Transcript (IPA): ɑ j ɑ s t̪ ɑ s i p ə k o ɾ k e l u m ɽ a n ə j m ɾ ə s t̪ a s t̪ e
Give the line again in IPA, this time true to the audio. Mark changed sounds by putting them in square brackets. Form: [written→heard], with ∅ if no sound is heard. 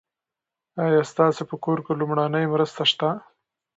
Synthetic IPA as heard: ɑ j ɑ s t̪ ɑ s [i→e] p ə k o ɾ k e l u m ɽ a n ə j m ɾ ə s t̪ a [s→ʃ] t̪ [e→a]